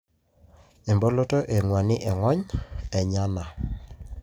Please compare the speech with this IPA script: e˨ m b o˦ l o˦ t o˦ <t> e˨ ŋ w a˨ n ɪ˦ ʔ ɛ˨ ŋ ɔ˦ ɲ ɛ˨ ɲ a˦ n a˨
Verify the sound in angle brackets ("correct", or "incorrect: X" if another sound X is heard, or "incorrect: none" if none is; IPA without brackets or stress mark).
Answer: incorrect: ʔ